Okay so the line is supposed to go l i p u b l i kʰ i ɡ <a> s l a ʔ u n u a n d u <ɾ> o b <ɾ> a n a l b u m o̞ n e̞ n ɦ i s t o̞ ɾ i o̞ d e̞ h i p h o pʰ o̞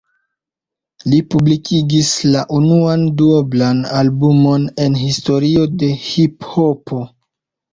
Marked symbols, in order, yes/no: no, no, no

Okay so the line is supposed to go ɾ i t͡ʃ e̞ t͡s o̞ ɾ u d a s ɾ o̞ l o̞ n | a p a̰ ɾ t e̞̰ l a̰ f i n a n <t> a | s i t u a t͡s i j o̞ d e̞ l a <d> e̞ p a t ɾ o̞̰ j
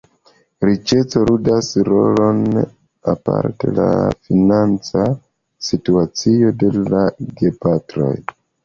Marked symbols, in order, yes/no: no, no

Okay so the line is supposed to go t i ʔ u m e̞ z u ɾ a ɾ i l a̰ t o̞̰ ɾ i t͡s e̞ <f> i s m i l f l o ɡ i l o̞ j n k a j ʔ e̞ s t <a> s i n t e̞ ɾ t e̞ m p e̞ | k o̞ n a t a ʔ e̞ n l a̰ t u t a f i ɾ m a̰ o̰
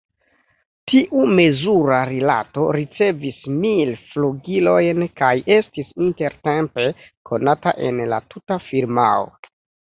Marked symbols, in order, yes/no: no, no

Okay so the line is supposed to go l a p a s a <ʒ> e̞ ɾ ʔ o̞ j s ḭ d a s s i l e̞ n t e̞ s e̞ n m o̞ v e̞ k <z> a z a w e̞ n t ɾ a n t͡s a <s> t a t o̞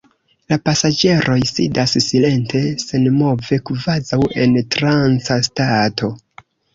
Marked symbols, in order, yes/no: no, no, yes

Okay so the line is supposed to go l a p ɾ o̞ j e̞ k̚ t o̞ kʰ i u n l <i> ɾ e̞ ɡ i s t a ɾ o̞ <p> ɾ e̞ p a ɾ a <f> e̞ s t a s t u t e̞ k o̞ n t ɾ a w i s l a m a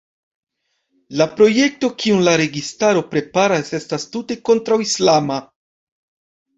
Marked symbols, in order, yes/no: no, yes, no

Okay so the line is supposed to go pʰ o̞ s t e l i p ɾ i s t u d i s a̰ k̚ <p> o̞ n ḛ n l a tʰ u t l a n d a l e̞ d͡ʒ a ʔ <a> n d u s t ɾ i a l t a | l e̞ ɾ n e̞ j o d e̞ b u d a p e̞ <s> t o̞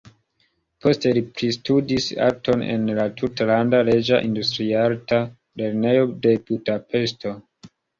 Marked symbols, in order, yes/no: no, no, yes

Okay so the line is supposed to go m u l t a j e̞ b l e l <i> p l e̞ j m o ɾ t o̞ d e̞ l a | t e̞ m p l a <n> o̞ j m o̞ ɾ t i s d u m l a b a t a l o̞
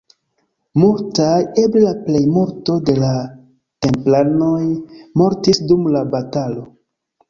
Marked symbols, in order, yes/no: no, yes

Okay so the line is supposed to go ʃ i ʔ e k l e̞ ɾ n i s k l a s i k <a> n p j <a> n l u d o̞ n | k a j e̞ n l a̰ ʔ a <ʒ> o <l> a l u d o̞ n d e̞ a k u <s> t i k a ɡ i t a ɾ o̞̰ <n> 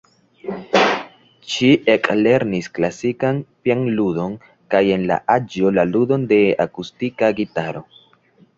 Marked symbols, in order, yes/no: yes, yes, no, yes, yes, no

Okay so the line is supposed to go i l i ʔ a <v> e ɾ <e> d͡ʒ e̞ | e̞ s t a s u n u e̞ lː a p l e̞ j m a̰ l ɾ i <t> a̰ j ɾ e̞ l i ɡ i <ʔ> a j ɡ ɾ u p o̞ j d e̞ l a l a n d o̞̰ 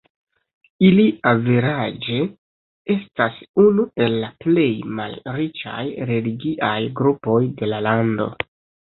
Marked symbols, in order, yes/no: yes, no, no, yes

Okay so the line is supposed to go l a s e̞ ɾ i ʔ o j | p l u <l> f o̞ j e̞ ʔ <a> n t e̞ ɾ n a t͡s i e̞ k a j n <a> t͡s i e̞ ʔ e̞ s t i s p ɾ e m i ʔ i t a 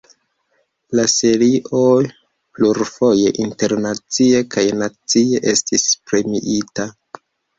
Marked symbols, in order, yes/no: no, no, yes

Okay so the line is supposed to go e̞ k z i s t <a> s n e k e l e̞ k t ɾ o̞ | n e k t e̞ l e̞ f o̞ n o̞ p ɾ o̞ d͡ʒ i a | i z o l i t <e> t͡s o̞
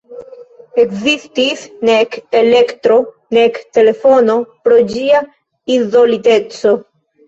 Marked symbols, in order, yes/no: no, yes

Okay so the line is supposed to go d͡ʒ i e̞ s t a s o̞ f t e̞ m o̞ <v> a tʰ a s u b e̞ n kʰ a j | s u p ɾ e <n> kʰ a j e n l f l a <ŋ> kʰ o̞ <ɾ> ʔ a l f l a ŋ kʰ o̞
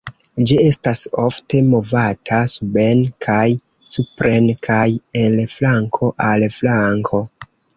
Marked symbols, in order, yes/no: yes, yes, yes, no

